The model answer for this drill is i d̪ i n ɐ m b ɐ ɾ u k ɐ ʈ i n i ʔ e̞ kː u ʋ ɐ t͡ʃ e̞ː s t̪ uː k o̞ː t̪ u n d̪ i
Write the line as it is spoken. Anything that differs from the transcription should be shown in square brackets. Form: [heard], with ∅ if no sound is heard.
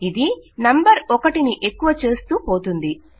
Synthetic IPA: i d̪ i n ɐ m b ɐ ɾ [ɔ] k ɐ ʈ i n i ʔ e̞ kː u ʋ ɐ t͡ʃ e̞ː s t̪ uː [p] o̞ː t̪ u n d̪ i